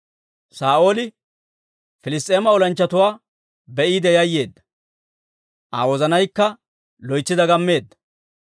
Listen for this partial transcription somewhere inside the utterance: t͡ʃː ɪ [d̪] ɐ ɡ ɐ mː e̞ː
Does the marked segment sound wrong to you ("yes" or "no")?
no